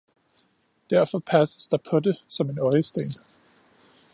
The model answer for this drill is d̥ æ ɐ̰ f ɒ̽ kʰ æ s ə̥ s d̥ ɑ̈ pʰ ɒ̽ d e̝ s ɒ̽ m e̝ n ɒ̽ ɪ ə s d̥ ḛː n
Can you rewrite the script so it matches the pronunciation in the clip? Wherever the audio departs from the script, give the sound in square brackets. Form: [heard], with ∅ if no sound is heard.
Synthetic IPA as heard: d̥ æ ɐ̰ f ɒ̽ [pʰ] æ s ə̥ s d̥ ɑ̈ pʰ ɒ̽ d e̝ s ɒ̽ m e̝ n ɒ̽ ɪ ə s d̥ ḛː n